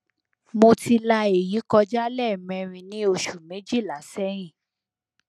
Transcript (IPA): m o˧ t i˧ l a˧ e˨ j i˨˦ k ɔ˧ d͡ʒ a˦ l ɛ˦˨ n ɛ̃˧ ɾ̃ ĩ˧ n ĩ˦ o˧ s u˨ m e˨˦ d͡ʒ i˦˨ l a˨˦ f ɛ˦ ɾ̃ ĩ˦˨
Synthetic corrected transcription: m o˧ t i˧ l a˧ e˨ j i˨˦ k ɔ˧ d͡ʒ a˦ l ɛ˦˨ m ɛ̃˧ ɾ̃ ĩ˧ n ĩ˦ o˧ ʃ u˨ m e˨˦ d͡ʒ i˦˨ l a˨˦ s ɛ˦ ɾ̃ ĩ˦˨

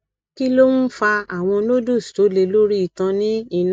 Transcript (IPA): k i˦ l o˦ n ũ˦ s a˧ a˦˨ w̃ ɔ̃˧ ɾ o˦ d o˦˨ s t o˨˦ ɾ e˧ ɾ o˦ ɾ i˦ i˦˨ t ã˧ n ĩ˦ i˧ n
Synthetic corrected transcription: k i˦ l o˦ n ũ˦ f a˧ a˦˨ w̃ ɔ̃˧ l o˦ d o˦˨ s t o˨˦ l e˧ l o˦ ɾ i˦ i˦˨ t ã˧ n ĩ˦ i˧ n

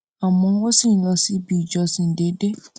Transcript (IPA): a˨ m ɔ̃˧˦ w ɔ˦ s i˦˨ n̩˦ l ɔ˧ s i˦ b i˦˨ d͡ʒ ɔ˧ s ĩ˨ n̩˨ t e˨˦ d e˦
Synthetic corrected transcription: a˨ m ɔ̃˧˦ w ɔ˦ s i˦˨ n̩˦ l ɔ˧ s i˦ b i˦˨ d͡ʒ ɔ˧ s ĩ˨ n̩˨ d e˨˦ d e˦

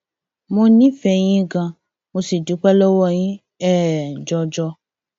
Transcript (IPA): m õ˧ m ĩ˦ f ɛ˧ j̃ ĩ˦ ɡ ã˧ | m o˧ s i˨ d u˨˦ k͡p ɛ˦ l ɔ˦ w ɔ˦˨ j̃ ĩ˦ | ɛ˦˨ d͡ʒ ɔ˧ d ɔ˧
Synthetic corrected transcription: m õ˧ n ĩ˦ f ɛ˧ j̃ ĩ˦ ɡ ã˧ | m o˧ s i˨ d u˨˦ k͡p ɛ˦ l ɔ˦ w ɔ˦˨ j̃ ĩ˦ | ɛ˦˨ d͡ʒ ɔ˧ d͡ʒ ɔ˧

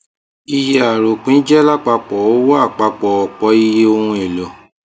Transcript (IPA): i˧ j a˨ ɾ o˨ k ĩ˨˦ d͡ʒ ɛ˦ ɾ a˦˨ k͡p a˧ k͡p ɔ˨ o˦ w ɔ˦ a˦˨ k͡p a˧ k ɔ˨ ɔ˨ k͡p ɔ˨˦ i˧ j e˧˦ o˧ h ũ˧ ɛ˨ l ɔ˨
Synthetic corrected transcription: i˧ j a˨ ɾ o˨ k͡p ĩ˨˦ d͡ʒ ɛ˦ l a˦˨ k͡p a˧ k͡p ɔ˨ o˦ w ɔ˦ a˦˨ k͡p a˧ k͡p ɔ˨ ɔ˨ k͡p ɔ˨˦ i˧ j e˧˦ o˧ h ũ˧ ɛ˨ l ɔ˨

